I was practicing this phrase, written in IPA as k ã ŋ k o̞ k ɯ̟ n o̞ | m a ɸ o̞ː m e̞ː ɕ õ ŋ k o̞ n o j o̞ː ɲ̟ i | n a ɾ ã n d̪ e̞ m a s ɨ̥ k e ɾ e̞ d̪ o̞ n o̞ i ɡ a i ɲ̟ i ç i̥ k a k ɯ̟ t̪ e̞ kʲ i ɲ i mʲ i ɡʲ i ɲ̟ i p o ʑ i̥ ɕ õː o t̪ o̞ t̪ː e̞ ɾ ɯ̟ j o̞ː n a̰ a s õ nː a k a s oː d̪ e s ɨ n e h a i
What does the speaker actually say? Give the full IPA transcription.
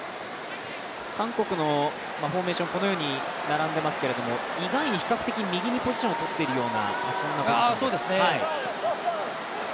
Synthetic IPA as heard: k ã ŋ k o̞ k ɯ̟ n o̞ | m a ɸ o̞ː m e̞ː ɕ õ ŋ k o̞ n o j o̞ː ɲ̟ i | n a ɾ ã n d̪ e̞ m a s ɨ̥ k e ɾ e̞ d̪ o̞ m o̞ i ɡ a i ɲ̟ i ç i̥ k a k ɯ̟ t̪ e̞ kʲ i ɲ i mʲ i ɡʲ i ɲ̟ i p o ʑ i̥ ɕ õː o t̪ o̞ t̪ː e̞ ɾ ɯ̟ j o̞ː n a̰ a s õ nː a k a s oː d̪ e s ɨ n e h a i